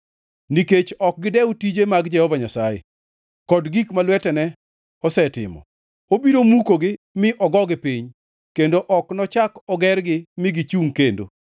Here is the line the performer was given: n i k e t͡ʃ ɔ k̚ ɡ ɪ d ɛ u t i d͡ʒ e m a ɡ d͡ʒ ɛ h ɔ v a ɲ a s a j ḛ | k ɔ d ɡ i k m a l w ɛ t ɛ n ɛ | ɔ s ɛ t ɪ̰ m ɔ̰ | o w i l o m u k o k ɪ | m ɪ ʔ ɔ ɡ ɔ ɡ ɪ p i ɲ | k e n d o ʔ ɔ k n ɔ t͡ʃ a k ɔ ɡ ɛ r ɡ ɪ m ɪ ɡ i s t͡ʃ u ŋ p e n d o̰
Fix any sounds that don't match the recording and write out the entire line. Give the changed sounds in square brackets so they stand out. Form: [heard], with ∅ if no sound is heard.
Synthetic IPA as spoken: n i k e t͡ʃ ɔ k̚ ɡ ɪ d ɛ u t i d͡ʒ e m a ɡ d͡ʒ ɛ h ɔ v a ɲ a s a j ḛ | k ɔ d ɡ i k m a l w ɛ t ɛ n ɛ | ɔ s ɛ t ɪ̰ m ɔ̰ | o [b] i [ɾ] o m u k o [ɡ] ɪ | m ɪ ʔ ɔ ɡ ɔ ɡ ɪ p i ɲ | k e n d o ʔ ɔ k n ɔ t͡ʃ a k ɔ ɡ ɛ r ɡ ɪ m ɪ ɡ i [∅] t͡ʃ u ŋ [k] e n d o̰